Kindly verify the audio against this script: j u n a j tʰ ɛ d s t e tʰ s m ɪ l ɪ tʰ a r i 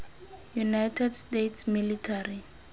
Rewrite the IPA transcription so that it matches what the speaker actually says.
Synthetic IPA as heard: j u n a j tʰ ɛ d s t e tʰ s m i l i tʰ a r i